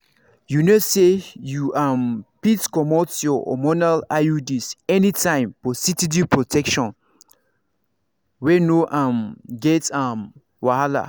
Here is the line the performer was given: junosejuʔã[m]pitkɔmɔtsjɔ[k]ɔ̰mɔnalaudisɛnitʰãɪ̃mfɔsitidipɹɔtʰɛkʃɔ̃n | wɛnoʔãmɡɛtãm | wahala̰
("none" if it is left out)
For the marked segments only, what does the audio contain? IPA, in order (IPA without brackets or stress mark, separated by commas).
m, none